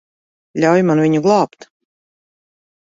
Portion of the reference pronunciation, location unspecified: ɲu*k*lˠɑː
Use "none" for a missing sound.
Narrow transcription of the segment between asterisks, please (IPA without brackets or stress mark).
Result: ɡ